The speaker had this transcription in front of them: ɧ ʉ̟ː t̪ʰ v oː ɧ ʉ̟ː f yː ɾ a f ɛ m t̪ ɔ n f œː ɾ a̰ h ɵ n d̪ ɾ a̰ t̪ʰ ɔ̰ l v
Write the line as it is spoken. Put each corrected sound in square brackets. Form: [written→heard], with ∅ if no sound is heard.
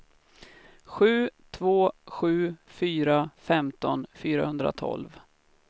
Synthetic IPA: ɧ ʉ̟ː t̪ʰ v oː ɧ ʉ̟ː f yː ɾ a f ɛ m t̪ ɔ n f [œː→yː] ɾ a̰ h ɵ n d̪ ɾ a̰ t̪ʰ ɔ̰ l v